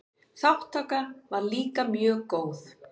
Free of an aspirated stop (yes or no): yes